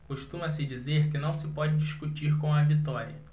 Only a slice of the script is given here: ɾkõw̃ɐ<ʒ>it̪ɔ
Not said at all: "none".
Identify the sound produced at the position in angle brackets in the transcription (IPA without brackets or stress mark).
v